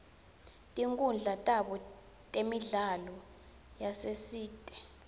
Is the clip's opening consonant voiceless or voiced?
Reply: voiceless